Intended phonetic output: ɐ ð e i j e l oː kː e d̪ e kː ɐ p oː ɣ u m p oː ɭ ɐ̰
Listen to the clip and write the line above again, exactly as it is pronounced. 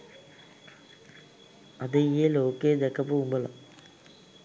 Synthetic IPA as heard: ɐ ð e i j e l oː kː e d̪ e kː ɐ p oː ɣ u m b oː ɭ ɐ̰